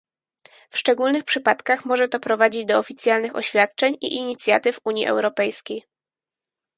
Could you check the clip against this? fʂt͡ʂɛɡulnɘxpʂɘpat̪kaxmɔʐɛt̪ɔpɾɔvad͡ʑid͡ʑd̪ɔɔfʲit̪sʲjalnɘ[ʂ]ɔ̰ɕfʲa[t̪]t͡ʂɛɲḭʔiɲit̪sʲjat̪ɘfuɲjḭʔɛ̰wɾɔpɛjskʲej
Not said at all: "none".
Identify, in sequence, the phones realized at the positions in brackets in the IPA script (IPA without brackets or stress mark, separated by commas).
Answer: x, t̪